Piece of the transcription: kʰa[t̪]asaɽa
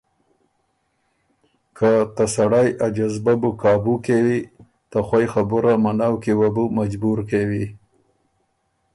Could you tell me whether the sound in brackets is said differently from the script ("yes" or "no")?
no